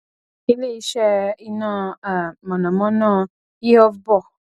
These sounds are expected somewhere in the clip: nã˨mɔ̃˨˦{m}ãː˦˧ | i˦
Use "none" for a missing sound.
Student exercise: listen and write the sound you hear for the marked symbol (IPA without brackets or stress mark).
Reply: n